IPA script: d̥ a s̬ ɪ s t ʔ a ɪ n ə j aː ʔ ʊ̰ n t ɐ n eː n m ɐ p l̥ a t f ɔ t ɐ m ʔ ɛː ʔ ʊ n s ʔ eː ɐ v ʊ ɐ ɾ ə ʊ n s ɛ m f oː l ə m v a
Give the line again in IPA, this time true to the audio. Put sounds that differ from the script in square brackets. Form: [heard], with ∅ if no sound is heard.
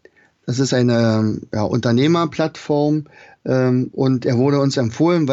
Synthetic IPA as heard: d̥ a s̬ ɪ s t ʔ a ɪ n ə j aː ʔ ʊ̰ n t ɐ n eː [∅] m ɐ p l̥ a t f ɔ [∅] ɐ m ʔ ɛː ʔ ʊ n [t] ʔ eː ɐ v ʊ ɐ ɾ ə ʊ n s ɛ m f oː l ə [n] v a